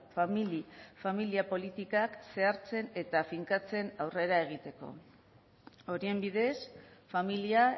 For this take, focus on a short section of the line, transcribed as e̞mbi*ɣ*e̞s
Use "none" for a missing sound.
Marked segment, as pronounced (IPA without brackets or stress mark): ð